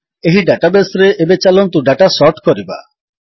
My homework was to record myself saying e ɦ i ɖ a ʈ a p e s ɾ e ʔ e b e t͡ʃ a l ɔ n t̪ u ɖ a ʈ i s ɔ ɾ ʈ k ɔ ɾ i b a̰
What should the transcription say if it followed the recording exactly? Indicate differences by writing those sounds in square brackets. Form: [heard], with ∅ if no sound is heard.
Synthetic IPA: e ɦ i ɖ a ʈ a [b] e s ɾ e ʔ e b e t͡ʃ a l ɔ n t̪ u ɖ a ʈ [a] s ɔ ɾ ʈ k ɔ ɾ i b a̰